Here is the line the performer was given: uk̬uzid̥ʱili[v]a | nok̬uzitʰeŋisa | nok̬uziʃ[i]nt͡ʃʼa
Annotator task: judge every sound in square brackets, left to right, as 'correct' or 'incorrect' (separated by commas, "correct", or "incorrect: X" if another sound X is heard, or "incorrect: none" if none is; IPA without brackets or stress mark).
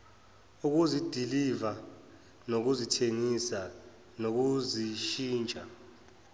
correct, incorrect: iː